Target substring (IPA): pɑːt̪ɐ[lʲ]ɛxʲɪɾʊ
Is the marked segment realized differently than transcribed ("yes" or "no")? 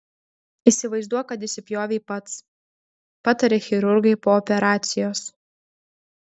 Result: yes